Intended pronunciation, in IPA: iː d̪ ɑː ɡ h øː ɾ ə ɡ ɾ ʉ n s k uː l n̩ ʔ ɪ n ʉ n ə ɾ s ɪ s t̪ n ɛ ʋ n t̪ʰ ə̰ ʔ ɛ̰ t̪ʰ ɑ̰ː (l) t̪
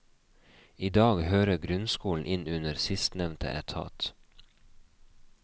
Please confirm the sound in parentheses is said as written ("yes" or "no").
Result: no